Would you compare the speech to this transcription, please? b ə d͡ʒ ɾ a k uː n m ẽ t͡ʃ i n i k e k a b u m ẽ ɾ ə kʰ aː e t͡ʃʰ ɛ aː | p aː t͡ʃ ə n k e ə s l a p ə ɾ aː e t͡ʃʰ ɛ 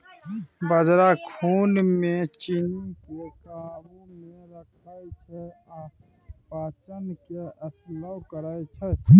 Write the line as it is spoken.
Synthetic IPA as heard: b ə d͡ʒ ɾ a kʰ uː n m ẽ t͡ʃ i n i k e k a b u m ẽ ɾ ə kʰ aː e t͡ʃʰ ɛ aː | p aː t͡ʃ ə n k e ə s l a k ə ɾ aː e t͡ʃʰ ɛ